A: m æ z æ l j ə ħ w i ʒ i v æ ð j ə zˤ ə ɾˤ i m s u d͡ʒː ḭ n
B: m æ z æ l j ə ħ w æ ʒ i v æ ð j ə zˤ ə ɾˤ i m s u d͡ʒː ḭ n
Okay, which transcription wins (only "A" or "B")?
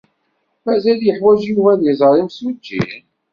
B